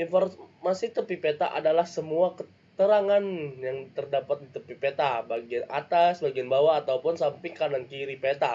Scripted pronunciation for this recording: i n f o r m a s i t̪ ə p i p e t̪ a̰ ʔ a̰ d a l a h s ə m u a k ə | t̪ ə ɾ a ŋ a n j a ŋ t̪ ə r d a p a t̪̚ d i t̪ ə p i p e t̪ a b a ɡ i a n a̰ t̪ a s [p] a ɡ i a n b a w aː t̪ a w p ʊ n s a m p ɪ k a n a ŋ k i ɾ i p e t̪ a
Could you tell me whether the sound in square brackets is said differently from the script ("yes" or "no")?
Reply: yes